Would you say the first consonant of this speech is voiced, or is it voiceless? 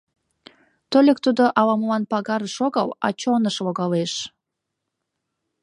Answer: voiceless